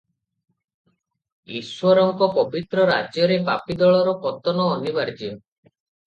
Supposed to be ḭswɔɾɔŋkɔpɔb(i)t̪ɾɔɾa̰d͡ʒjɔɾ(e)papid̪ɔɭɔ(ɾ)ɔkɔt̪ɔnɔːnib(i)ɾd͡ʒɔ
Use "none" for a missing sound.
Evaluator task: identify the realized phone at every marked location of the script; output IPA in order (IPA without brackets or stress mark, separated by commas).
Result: i, e, ɾ, a